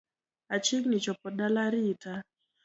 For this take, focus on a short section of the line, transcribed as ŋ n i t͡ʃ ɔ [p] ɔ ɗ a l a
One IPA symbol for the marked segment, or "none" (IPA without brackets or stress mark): p